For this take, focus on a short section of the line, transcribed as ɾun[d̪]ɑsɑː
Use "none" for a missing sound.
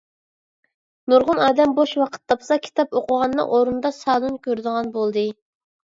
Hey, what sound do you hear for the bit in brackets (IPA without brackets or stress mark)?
d̪